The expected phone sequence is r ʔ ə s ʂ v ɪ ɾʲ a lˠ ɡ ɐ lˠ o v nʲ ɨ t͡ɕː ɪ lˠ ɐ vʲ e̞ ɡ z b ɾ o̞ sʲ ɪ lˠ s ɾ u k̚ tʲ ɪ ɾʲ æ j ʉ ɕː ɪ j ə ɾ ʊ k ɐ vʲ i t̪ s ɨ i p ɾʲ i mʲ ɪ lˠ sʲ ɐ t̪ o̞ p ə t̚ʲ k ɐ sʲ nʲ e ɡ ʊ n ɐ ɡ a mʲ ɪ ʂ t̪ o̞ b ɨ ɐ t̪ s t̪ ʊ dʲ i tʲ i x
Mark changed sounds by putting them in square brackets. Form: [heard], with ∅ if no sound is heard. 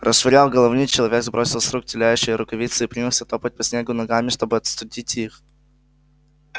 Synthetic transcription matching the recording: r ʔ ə s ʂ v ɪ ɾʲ a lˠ ɡ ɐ lˠ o v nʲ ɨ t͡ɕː ɪ lˠ ɐ vʲ e̞ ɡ z b ɾ o̞ sʲ ɪ lˠ s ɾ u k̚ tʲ ɪ [lʲ] æ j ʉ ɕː ɪ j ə ɾ ʊ k ɐ vʲ i t̪ s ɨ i p ɾʲ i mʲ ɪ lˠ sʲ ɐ t̪ o̞ p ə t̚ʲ [p] ɐ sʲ nʲ e ɡ ʊ n ɐ ɡ a mʲ ɪ ʂ t̪ o̞ b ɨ ɐ t̪ s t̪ ʊ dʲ i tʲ i x